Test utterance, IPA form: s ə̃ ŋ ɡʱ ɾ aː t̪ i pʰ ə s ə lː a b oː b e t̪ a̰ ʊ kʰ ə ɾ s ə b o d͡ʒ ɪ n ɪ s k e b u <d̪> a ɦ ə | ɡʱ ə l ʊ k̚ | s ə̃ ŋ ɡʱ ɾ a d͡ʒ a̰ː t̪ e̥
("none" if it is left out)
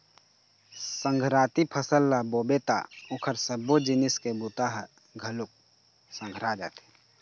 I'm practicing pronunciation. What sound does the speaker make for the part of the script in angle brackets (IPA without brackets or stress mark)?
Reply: t̪